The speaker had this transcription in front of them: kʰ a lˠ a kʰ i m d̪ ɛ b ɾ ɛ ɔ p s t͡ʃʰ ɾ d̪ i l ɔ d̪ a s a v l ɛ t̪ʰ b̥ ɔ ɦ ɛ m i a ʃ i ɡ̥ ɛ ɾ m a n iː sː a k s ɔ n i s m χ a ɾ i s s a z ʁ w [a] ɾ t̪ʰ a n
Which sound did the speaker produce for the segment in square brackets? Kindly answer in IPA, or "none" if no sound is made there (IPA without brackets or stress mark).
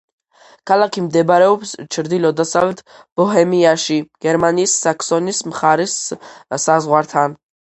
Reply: a